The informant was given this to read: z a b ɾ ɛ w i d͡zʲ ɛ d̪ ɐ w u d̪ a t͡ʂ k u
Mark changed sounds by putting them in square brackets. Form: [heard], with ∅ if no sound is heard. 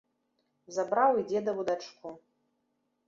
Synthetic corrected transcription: z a b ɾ [a] w i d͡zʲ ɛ d̪ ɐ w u d̪ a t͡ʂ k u